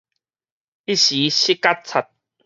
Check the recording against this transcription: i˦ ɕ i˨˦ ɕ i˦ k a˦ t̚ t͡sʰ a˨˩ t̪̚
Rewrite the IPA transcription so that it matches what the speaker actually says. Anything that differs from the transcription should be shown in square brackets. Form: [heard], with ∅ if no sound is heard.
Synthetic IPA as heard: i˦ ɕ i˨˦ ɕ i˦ k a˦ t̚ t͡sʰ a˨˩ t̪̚